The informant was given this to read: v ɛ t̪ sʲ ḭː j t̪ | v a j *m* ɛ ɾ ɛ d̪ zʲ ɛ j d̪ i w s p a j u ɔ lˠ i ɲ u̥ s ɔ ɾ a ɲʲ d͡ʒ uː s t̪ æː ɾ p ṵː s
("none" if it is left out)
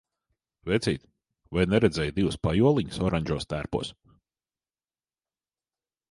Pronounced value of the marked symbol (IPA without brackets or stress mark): n